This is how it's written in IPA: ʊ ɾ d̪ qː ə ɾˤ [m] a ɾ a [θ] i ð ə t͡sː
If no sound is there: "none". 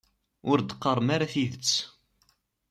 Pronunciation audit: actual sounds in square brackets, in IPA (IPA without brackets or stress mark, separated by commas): m, θ